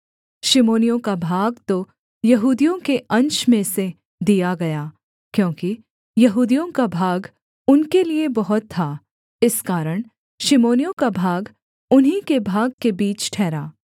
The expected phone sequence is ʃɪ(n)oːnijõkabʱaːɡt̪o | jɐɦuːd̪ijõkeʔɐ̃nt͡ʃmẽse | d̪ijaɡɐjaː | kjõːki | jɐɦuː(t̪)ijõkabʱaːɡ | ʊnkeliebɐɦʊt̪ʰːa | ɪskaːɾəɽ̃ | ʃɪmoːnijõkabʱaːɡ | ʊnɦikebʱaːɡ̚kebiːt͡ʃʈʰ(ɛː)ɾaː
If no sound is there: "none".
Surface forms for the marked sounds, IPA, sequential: m, d̪, ɛː

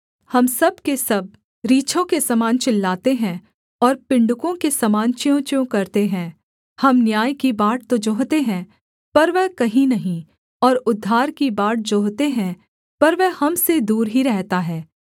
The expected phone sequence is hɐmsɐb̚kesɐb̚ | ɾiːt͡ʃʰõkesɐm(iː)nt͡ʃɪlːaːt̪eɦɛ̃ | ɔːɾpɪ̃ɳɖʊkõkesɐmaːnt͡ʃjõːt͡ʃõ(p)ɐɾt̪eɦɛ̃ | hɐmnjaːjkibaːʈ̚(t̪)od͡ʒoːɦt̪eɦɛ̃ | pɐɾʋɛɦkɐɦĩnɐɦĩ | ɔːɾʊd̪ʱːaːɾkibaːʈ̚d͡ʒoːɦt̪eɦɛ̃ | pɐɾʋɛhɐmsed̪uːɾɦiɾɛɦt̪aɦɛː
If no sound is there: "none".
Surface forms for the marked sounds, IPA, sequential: aː, k, t̪

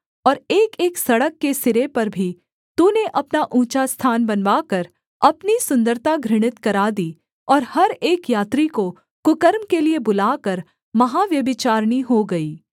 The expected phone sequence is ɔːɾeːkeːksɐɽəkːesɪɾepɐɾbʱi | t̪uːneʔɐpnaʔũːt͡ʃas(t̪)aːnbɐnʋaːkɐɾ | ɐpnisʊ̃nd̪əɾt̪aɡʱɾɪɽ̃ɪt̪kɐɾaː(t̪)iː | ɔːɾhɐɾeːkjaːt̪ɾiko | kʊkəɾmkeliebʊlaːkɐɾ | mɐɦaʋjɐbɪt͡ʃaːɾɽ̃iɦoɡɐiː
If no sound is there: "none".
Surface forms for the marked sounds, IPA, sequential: t̪ʰ, d̪

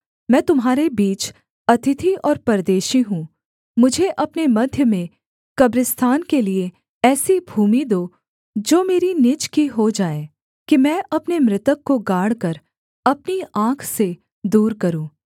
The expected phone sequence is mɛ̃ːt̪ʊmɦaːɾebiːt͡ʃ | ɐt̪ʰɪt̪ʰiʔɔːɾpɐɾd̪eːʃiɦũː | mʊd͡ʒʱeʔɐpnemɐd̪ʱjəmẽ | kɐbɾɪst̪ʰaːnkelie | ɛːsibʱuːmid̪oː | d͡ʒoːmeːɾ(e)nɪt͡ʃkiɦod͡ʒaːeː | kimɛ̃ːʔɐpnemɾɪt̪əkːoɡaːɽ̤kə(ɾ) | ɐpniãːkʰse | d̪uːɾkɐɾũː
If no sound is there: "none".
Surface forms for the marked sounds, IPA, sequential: i, ɾ

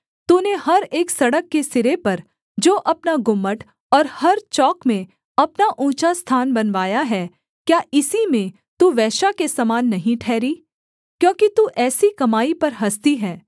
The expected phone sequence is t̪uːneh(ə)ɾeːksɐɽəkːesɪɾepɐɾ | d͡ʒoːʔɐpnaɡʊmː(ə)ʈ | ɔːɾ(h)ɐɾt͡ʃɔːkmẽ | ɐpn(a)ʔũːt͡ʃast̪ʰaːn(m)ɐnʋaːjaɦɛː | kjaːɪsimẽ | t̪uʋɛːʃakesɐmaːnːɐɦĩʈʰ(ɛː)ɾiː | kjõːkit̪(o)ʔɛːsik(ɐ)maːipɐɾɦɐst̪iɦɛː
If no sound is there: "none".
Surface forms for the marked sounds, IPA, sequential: ɐ, ə, h, a, b, ɛː, u, ɐ

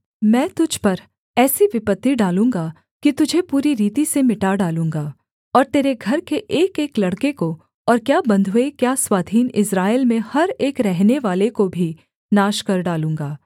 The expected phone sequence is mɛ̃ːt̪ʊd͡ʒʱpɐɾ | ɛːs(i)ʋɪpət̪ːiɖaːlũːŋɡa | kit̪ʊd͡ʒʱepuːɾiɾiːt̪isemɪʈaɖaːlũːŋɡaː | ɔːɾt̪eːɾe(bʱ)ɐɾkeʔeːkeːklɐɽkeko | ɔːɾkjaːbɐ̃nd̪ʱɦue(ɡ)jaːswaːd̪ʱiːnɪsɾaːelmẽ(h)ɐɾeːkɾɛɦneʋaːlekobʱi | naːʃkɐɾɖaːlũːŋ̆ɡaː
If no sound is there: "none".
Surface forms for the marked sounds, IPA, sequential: i, ɡʱ, k, h

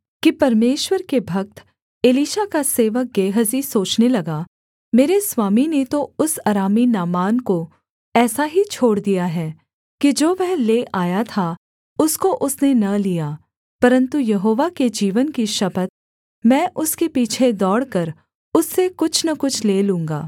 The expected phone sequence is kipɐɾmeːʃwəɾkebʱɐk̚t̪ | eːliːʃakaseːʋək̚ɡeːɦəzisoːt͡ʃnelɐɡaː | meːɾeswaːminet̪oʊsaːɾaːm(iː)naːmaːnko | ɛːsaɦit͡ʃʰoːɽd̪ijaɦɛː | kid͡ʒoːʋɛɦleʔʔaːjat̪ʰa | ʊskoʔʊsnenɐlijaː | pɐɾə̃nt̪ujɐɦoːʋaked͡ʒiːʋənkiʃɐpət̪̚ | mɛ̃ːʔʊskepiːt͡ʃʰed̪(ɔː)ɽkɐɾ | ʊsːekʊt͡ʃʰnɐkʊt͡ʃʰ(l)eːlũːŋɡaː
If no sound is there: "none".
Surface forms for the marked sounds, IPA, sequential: i, ɔː, l

